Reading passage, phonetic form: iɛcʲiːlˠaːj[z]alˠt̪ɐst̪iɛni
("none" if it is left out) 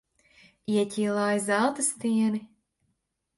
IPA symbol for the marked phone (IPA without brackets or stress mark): z